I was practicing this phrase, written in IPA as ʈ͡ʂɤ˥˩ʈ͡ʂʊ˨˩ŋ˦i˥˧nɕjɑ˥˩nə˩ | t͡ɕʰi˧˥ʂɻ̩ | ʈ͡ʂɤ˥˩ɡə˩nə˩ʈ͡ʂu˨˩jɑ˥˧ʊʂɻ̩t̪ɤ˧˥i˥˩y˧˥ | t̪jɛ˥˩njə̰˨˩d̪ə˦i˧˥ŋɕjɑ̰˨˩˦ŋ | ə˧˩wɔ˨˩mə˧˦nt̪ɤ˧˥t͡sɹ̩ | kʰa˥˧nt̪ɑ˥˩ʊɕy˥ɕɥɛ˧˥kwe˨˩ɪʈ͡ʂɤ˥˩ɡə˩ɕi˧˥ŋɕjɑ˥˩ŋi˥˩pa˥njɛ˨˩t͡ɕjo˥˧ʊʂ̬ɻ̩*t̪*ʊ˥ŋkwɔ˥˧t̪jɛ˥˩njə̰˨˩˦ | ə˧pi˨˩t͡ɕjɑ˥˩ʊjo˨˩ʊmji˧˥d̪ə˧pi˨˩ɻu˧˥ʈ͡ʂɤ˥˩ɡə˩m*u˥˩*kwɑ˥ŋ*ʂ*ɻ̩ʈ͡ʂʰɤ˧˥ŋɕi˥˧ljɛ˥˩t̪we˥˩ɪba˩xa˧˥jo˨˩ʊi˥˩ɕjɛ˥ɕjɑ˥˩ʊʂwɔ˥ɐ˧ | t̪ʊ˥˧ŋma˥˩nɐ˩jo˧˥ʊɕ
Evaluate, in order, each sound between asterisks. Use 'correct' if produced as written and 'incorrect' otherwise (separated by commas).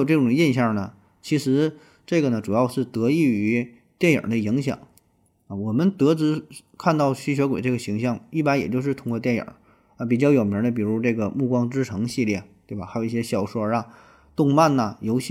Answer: incorrect, correct, incorrect